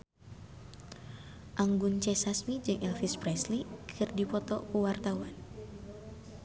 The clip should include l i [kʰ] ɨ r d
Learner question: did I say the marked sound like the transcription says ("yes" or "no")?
yes